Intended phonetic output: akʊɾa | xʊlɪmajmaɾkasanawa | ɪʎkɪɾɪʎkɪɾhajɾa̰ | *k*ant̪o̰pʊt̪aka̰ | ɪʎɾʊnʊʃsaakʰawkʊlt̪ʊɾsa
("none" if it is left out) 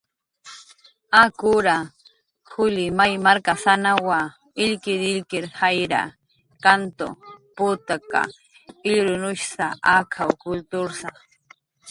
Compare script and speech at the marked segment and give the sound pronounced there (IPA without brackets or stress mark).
k